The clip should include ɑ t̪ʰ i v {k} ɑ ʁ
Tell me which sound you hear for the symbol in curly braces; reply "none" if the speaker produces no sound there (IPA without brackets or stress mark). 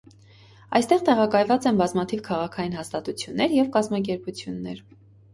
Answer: kʰ